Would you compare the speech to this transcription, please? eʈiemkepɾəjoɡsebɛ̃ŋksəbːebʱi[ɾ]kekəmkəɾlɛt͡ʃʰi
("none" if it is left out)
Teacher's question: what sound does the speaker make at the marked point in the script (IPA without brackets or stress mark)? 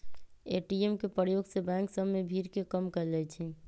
ɾ